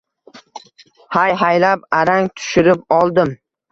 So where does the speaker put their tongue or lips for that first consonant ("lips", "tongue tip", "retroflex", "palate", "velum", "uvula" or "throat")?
throat